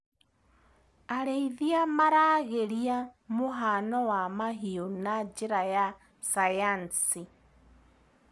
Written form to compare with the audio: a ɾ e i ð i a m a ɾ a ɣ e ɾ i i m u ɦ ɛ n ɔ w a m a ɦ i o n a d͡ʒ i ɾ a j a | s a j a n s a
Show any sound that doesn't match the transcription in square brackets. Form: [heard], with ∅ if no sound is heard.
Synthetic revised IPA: a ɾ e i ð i a m a ɾ a ɣ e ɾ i [a] m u ɦ [a] n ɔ w a m a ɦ i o n a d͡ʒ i ɾ a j a | s a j a n s [i]